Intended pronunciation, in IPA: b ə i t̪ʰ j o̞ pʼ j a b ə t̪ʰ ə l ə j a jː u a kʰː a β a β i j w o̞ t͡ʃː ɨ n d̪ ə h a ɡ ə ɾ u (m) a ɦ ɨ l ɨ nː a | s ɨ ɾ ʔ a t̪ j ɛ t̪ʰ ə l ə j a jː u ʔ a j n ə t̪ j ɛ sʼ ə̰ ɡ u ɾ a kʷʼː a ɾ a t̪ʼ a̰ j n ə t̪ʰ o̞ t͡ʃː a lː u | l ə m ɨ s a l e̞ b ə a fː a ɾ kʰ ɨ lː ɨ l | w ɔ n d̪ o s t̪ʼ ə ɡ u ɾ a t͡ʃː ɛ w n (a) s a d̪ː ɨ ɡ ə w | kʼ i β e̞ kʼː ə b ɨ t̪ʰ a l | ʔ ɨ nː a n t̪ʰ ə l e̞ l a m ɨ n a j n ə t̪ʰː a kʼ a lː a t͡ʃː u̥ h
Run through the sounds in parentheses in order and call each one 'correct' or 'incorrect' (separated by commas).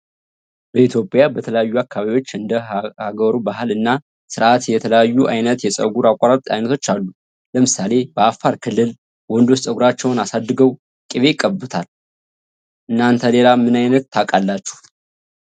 incorrect, correct